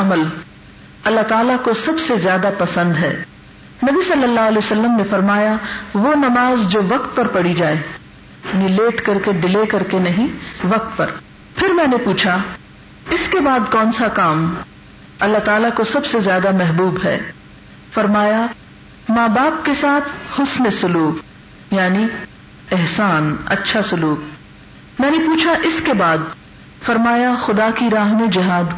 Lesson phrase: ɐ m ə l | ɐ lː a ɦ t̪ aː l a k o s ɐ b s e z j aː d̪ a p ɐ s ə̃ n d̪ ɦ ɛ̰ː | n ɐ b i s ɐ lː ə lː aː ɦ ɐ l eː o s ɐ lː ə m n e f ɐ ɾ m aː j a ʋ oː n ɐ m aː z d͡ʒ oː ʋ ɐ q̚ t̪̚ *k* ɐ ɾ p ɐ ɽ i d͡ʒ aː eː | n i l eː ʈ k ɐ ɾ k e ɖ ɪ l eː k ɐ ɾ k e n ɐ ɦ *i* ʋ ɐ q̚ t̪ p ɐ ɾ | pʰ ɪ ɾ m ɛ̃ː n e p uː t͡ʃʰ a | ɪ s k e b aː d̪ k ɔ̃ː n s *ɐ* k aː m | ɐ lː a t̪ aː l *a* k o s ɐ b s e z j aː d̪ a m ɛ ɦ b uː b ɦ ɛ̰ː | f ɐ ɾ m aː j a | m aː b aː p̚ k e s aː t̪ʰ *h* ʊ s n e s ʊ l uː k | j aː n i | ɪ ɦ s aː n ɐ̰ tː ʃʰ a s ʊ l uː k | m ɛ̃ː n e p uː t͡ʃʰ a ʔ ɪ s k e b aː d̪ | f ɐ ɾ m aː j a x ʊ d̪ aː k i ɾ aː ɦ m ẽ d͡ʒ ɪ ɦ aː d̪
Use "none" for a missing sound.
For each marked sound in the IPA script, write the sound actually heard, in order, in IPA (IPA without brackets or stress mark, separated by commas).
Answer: p, ĩ, a, a, h